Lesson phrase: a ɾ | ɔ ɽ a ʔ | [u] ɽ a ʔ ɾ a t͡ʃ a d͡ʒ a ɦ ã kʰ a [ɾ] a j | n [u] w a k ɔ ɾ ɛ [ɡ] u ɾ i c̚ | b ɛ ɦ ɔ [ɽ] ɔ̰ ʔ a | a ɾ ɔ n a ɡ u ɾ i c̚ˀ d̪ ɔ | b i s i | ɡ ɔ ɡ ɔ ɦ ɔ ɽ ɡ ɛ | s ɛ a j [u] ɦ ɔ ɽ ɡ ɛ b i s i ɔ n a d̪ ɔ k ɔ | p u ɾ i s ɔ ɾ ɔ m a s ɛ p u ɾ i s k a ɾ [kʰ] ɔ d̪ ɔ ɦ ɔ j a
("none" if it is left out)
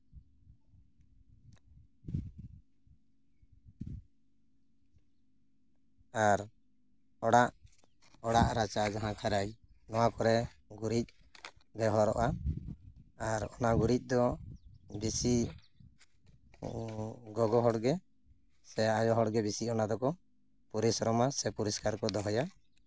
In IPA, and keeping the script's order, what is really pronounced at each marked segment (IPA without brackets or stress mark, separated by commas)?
ɔ, ɾ, ɔ, ɡ, ɾ, ɔ, k